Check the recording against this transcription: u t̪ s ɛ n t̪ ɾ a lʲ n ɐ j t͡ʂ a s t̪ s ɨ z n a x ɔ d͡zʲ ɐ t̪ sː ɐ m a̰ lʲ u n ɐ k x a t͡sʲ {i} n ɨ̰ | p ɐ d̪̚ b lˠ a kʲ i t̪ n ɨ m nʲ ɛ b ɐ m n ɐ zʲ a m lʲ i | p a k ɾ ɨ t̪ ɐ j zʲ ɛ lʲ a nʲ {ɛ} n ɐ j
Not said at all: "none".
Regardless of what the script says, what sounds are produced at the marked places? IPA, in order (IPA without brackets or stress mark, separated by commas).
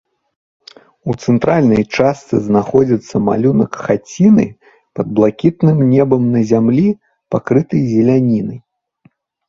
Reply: i, i